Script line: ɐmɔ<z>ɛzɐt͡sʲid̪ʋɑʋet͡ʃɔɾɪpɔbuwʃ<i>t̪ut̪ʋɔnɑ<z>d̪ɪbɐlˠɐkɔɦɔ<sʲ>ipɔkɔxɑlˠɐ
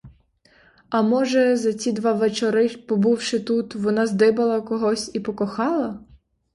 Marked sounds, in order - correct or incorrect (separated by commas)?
incorrect, incorrect, correct, correct